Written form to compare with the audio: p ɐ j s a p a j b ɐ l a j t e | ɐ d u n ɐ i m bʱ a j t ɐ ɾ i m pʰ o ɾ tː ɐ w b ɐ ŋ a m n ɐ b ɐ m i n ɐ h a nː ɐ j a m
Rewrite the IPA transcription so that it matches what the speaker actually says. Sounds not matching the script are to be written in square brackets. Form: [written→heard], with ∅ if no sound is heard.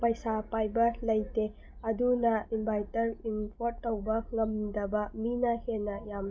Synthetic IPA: p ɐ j s a p a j b ɐ l [a→ɐ] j t e | ɐ d u n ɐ i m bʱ a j t ɐ ɾ i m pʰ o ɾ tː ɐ w b ɐ ŋ [a→ɐ] m [n→d] ɐ b ɐ m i n ɐ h [a→e] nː ɐ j a m